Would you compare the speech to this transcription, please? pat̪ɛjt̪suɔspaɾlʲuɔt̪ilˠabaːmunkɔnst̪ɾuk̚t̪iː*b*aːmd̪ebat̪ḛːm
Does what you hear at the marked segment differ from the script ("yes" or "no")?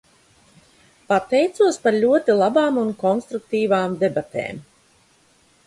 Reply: yes